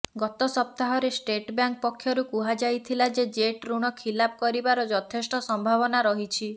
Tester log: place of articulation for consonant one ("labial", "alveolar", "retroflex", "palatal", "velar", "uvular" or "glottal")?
velar